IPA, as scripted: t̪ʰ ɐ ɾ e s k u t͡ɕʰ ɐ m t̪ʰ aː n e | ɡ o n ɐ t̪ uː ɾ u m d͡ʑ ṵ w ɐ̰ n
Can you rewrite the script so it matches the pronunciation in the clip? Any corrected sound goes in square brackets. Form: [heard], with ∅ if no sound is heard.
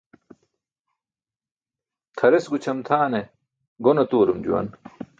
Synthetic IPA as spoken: t̪ʰ ɐ ɾ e s [ɡ] u t͡ɕʰ ɐ m t̪ʰ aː n e | ɡ o n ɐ t̪ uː ɾ u m d͡ʑ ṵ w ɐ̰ n